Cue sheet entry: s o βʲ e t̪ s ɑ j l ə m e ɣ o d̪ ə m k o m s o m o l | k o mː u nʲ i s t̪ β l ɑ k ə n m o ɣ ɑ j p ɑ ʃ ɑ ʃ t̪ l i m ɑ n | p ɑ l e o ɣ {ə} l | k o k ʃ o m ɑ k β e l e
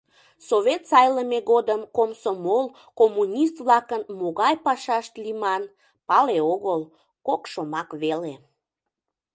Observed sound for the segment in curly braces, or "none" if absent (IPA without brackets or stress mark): ə